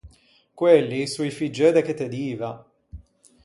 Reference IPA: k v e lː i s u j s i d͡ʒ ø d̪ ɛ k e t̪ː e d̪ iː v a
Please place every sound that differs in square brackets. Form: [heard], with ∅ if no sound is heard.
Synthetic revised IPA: k [w] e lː i s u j [f] i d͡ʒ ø d̪ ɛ k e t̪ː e d̪ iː v a